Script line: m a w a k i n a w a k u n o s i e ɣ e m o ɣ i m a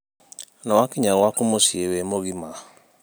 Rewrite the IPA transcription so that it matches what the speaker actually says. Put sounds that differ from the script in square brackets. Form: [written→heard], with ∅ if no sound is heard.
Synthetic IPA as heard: [m→n] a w a k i [n→ɲ] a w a k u [n→m] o s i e [ɣ→w] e m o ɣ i m a